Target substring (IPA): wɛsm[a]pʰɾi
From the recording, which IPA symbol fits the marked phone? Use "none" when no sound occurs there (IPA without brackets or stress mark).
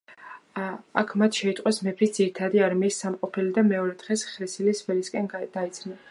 ɛ